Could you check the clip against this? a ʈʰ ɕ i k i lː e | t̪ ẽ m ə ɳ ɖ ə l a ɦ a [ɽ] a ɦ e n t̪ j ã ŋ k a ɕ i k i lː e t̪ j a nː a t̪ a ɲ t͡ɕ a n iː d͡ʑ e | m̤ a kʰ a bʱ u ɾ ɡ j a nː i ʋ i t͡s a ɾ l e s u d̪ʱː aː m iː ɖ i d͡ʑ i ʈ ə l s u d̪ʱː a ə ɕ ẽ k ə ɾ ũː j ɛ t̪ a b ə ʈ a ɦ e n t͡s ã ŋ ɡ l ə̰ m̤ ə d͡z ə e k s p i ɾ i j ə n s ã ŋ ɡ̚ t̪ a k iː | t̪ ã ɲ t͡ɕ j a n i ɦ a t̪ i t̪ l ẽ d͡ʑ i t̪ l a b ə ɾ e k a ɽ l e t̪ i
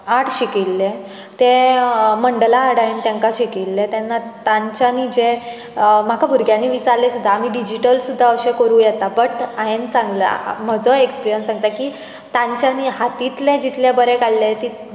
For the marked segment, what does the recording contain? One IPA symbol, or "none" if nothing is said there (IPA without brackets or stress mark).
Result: ɽ